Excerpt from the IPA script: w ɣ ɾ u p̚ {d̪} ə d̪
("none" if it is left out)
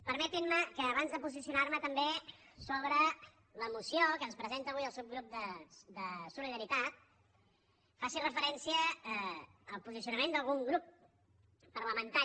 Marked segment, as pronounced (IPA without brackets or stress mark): d̪